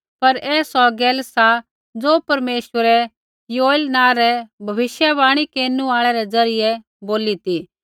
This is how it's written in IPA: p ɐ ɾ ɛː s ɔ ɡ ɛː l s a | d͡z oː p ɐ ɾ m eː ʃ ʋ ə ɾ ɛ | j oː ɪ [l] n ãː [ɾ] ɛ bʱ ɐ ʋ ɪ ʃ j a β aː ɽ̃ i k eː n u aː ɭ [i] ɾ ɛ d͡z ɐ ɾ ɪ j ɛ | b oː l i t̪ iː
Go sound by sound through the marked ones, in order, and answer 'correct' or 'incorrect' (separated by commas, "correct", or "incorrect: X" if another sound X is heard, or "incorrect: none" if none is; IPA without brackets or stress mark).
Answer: correct, correct, incorrect: ɛ